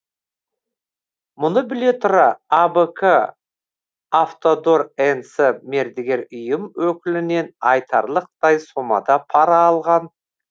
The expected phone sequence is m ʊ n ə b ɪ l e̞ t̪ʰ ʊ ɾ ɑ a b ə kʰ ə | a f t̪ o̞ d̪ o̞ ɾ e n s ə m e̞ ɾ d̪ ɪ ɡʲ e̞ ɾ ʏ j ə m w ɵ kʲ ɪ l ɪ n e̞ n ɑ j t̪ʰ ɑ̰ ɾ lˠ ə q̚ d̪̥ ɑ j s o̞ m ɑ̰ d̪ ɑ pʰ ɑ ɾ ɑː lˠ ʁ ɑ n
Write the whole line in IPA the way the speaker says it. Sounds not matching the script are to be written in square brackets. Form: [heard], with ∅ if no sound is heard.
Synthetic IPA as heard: m ʊ n ə b ɪ l e̞ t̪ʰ ʊ ɾ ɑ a b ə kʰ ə | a f t̪ o̞ d̪ o̞ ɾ e n s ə m e̞ ɾ d̪ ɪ ɡʲ e̞ ɾ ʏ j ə m w ɵ kʲ ɪ l ɪ n e̞ n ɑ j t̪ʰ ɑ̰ ɾ lˠ ə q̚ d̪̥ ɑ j s o̞ m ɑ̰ d̪ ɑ pʰ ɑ ɾ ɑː lˠ ʁ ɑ n